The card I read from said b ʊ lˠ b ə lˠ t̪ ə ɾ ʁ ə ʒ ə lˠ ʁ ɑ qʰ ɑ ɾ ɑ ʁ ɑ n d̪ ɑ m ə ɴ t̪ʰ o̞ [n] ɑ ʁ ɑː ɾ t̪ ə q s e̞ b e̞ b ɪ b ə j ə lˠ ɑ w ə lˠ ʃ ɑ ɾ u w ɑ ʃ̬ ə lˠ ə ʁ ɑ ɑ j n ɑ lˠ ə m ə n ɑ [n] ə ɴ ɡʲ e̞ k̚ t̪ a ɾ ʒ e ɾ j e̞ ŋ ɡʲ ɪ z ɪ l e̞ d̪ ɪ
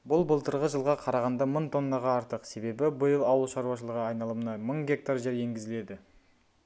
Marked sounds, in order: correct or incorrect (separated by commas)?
incorrect, incorrect